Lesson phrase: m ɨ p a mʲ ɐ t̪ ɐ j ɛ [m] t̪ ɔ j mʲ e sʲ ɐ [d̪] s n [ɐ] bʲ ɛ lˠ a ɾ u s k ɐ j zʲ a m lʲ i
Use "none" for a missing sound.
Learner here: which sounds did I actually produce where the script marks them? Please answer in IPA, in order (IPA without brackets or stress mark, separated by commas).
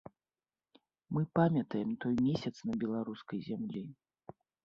m, t̪, ɐ